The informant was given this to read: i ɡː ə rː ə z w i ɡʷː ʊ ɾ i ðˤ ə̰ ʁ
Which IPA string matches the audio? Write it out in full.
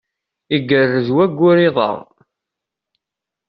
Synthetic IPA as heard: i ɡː ə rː ə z w æ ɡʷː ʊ ɾ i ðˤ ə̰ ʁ